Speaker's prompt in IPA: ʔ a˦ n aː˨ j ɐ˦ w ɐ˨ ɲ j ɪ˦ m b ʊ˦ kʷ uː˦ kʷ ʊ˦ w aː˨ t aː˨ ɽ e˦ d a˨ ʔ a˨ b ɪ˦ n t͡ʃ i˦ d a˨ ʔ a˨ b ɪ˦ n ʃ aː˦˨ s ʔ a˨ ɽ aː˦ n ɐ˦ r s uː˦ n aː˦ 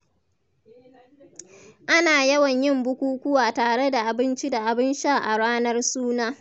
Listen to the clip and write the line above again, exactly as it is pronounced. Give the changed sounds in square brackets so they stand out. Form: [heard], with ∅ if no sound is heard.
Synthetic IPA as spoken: ʔ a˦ n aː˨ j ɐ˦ w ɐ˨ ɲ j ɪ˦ m b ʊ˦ kʷ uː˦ kʷ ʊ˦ w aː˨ t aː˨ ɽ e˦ d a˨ ʔ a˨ b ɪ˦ n t͡ʃ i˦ d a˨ ʔ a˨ b ɪ˦ n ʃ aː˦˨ [∅] ʔ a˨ ɽ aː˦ n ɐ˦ r s uː˦ n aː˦